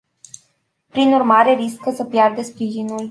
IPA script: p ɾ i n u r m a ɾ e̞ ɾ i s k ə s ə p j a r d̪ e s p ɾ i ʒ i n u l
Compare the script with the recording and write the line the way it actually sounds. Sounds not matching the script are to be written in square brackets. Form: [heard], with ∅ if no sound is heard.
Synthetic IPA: p ɾ i n u r m a ɾ e̞ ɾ i s k ə s ə p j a r d̪ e s p ɾ i ʒ i n u l